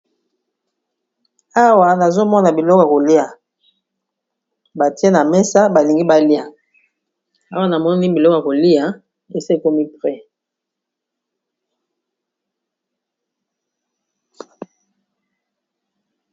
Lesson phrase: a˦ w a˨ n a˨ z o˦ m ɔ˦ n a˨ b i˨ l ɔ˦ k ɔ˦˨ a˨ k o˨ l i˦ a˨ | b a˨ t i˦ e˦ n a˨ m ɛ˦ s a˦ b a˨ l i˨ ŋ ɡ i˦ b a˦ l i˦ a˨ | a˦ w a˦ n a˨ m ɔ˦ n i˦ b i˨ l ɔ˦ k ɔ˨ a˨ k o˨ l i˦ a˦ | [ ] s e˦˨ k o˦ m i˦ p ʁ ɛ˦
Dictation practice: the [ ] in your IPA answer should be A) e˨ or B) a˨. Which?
A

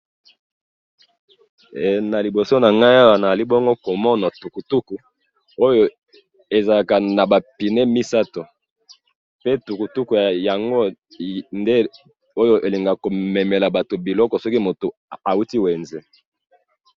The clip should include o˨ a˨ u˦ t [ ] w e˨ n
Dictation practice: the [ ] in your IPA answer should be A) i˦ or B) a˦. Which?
A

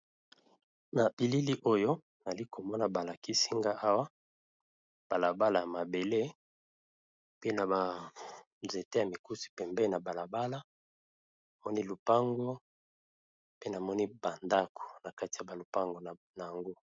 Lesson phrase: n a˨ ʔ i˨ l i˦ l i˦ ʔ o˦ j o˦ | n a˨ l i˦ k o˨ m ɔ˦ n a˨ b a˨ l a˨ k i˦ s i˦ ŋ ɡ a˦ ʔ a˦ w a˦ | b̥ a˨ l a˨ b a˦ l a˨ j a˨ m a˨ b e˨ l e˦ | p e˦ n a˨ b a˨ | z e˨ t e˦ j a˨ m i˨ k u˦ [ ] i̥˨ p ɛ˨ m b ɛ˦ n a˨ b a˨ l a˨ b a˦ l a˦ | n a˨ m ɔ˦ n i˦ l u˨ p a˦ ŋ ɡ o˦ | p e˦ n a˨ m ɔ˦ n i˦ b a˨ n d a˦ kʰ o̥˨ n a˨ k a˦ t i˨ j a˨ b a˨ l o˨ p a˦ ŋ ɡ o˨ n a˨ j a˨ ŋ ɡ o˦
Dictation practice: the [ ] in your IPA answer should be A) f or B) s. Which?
B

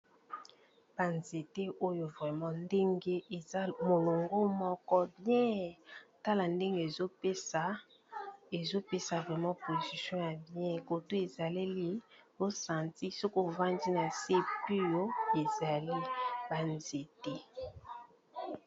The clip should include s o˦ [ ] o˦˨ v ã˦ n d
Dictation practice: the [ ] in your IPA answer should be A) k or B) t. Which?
A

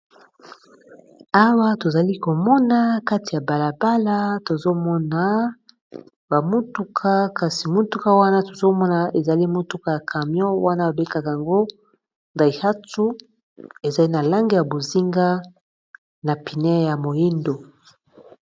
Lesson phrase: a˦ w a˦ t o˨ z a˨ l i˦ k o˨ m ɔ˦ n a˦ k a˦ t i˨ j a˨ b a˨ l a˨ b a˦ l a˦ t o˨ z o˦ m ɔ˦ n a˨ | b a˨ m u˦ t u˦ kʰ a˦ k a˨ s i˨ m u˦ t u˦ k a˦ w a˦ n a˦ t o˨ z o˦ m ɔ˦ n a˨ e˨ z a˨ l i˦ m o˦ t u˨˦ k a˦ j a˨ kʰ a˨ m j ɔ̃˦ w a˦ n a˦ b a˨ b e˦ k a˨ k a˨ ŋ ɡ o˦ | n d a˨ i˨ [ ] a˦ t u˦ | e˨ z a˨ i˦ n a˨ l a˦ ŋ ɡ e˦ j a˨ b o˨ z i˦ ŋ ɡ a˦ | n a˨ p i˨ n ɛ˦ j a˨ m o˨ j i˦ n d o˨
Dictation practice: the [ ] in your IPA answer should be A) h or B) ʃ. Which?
A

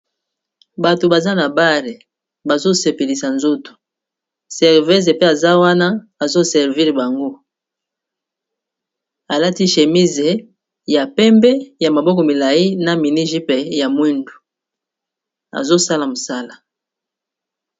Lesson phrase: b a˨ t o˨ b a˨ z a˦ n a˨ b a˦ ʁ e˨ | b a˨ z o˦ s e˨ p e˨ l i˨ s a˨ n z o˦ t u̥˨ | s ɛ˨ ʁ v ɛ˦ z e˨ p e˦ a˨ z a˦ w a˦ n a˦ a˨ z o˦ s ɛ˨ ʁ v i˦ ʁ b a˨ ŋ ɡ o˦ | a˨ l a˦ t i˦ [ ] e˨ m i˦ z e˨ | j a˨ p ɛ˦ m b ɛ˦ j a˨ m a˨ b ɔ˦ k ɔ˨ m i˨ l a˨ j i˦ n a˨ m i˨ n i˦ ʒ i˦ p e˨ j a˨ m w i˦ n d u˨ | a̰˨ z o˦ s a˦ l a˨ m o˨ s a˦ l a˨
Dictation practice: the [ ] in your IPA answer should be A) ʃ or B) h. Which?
A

